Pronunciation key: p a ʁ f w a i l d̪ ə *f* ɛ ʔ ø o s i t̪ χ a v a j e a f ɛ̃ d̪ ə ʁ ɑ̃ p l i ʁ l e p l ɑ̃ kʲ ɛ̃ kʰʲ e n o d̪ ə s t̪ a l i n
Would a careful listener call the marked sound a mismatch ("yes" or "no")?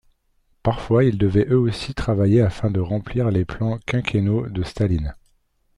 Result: yes